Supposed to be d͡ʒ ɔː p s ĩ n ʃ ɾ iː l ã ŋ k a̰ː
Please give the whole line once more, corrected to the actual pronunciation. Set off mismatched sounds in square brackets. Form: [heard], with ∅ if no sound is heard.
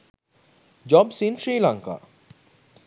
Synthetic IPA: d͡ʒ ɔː [b] s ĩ n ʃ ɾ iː l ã ŋ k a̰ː